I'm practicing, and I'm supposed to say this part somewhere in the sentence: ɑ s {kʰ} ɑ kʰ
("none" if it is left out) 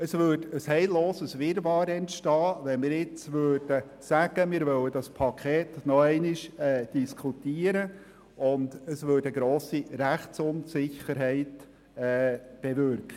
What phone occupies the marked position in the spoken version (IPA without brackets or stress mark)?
pʰ